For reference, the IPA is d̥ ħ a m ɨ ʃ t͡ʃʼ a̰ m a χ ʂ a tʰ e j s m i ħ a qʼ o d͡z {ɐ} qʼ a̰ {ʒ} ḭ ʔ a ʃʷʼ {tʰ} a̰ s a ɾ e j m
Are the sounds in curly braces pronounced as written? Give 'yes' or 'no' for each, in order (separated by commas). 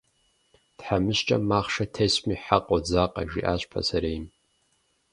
no, yes, no